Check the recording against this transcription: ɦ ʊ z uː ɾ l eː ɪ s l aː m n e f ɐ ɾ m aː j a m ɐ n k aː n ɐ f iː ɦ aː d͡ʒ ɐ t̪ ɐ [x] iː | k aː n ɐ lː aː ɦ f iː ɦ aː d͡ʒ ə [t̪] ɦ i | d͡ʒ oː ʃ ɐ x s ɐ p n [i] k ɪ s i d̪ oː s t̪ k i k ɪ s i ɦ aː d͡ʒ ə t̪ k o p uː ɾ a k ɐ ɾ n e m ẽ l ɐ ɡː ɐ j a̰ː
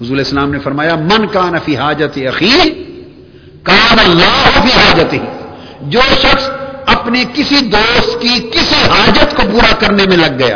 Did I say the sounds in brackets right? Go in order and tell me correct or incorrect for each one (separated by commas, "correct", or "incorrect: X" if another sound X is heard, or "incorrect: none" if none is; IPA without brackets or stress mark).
correct, correct, incorrect: e